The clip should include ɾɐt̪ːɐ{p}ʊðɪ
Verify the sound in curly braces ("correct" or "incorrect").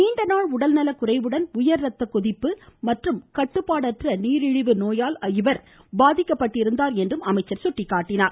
incorrect